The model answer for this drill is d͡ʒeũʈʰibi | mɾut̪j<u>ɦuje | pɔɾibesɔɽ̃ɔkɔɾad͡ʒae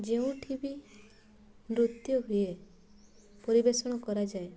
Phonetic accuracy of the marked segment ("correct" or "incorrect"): incorrect